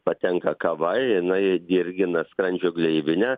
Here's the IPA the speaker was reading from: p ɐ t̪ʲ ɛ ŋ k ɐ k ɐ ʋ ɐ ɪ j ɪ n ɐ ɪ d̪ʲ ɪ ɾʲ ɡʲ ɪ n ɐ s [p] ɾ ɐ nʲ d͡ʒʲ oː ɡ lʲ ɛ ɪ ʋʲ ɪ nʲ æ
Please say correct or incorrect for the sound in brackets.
incorrect